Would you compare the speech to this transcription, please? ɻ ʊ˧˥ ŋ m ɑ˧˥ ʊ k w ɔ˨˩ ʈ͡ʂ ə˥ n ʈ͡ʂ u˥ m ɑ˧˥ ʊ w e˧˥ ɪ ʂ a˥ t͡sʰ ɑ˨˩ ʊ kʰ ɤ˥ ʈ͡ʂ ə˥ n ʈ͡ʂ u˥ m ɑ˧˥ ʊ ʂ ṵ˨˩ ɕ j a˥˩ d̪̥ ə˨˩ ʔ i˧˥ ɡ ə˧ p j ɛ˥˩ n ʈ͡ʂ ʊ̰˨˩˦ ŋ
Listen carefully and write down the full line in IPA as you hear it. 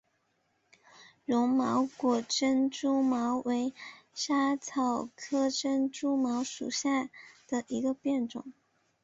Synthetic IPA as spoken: ɻ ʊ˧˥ ŋ m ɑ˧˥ ʊ k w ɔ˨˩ ʈ͡ʂ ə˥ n ʈ͡ʂ u˥ m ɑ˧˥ ʊ w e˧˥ ɪ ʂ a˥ t͡sʰ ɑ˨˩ ʊ kʰ ɤ˥ ʈ͡ʂ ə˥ n ʈ͡ʂ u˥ m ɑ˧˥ ʊ ʂ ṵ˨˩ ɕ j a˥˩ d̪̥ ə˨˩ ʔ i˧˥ ɡ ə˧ p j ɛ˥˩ n ʈ͡ʂ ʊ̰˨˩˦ ŋ